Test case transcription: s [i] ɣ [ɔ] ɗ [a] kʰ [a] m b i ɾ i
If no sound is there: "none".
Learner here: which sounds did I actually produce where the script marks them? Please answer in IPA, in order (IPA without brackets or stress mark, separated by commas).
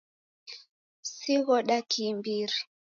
i, ɔ, a, i